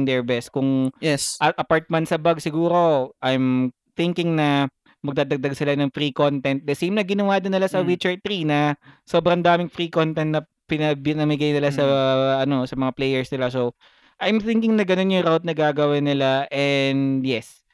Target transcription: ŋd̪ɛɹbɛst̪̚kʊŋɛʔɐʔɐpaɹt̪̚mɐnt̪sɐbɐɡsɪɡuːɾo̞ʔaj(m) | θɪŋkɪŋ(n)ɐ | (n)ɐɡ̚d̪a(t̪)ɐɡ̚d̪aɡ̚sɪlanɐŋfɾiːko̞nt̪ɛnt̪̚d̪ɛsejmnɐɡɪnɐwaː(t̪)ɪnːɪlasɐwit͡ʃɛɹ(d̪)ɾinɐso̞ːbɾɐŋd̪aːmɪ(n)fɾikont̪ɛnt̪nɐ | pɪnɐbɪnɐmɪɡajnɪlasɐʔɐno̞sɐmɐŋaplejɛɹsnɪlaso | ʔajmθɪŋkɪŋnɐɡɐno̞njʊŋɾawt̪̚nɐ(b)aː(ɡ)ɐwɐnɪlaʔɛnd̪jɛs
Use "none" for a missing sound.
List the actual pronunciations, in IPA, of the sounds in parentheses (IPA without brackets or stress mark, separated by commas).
m, n, m, d̪, d̪, t̪, ŋ, ɡ, ɡ